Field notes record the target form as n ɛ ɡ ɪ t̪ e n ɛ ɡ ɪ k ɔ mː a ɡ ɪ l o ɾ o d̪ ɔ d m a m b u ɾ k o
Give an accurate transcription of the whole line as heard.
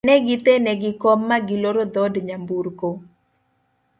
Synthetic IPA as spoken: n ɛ ɡ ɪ t̪ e n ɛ ɡ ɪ k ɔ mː a ɡ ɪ l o ɾ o d̪ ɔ d ɲ a m b u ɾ k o

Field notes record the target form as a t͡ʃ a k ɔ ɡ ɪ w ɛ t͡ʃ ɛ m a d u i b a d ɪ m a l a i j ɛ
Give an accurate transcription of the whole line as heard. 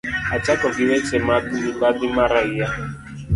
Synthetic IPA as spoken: a t͡ʃ a k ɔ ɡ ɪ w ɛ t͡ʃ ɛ m a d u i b a d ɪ m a ɾ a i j a

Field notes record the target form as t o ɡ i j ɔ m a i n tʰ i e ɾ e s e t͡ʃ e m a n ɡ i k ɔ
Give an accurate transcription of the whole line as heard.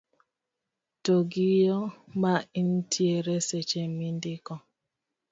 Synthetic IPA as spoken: t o ɡ i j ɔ m a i n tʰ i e ɾ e s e t͡ʃ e m i n d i k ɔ

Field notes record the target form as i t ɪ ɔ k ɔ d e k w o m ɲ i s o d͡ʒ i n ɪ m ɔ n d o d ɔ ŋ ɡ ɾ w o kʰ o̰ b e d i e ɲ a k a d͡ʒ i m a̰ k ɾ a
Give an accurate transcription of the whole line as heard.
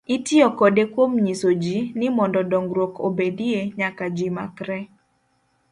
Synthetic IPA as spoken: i t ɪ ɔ k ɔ d e k w o m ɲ i s o d͡ʒ i n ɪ m ɔ n d ɔ d ɔ ŋ ɡ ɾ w o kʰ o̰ b e d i e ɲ a k a d͡ʒ i m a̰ k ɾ ɛ

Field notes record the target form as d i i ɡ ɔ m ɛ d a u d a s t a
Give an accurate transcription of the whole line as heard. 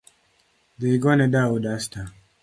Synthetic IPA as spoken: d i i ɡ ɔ n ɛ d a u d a s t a

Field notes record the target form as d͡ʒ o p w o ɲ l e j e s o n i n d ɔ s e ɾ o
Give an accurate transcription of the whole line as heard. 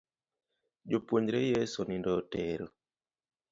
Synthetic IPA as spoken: d͡ʒ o p w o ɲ ɾ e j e s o n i n d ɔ t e ɾ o

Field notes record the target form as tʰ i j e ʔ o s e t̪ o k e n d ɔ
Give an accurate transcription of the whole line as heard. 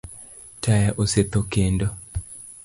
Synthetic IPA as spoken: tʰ a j a ʔ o s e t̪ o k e n d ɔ

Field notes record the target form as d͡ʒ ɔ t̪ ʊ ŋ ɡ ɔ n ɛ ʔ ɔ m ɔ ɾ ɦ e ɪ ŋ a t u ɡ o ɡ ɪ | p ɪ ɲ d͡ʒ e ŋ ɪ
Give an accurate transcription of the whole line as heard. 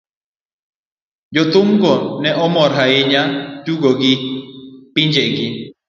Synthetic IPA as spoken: d͡ʒ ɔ t̪ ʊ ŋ ɡ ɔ n ɛ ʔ ɔ m ɔ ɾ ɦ a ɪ ɲ a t u ɡ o ɡ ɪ | p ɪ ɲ d͡ʒ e ɡ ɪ

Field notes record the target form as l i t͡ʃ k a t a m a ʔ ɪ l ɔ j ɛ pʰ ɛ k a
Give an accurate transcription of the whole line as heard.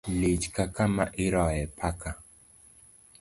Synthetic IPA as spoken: l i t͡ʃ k a k a m a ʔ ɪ ɾ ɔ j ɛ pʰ a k a

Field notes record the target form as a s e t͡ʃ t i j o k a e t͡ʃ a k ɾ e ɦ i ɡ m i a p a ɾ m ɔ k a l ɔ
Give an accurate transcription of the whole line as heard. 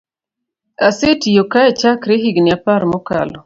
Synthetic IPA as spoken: a s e t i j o k a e t͡ʃ a k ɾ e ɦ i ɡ n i a p a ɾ m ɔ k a l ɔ

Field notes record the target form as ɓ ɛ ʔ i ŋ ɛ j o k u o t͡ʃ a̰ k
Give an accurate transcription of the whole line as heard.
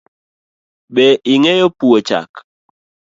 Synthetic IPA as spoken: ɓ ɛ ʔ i ŋ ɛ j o p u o t͡ʃ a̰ k

